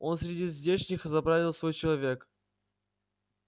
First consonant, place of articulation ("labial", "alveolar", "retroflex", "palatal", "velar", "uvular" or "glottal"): alveolar